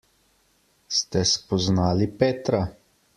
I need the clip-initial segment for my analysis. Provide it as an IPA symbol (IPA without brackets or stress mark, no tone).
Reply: s